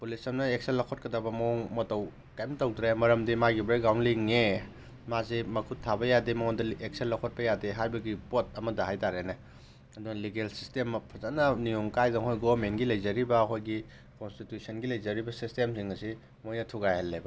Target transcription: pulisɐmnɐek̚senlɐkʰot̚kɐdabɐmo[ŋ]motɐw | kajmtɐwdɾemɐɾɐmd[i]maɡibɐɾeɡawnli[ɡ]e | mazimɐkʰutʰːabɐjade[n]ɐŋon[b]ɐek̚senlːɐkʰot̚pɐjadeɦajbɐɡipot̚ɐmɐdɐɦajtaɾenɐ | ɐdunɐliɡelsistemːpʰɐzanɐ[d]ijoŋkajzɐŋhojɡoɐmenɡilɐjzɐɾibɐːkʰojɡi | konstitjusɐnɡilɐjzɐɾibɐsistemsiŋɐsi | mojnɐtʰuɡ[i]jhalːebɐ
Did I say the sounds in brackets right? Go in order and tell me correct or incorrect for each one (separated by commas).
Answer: correct, correct, incorrect, incorrect, incorrect, incorrect, incorrect